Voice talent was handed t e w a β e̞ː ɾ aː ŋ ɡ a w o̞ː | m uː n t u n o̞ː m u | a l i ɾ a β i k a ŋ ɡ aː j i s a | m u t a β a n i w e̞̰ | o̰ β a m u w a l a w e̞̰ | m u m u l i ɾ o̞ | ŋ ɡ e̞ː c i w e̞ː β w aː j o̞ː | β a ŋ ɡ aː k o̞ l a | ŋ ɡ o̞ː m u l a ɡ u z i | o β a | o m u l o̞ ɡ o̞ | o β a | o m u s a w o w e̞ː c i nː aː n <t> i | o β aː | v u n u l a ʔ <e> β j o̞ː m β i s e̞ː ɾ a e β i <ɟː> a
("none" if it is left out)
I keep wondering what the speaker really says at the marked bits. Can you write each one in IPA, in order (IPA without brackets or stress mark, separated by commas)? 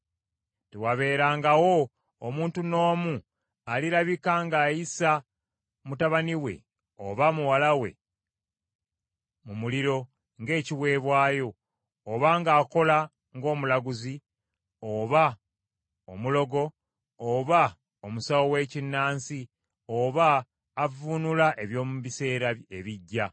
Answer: s, e, ɟː